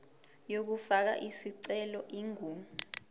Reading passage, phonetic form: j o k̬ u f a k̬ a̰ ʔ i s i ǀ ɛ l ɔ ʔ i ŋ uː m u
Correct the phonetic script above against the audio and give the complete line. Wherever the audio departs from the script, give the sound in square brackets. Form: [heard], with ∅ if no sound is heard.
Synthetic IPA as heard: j o k̬ u f a k̬ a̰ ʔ i s i ǀ ɛ l ɔ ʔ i ŋ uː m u